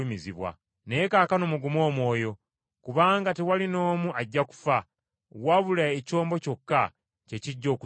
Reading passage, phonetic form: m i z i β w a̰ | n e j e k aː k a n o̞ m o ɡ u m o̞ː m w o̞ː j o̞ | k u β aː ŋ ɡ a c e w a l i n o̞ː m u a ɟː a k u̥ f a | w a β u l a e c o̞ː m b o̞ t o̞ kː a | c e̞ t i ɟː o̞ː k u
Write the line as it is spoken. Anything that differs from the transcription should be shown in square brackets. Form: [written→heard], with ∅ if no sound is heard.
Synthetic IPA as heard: m i z i β w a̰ | n e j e k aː k a n o̞ m [o→u] ɡ u m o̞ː m w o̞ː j o̞ | k u β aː ŋ ɡ a [c→t] e w a l i n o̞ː m u a ɟː a k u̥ f a | w a β u l a e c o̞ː m b o̞ [t→c] o̞ kː a | c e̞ [t→c] i ɟː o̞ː k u